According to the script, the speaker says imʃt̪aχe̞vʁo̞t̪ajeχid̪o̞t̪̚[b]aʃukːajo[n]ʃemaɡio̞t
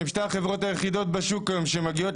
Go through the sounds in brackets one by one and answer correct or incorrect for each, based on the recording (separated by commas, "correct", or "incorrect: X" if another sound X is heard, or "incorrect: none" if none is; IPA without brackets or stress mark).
correct, incorrect: m